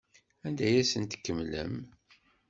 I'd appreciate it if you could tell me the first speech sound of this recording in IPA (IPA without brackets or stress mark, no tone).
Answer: æ